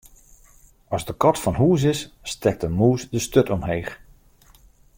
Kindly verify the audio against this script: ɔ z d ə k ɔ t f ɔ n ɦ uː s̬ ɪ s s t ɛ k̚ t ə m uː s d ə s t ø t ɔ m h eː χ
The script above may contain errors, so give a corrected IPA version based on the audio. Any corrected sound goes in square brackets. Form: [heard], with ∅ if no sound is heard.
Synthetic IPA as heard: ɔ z d ə k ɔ t f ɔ n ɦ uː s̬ ɪ s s t ɛ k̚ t ə m uː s d ə s t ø t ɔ m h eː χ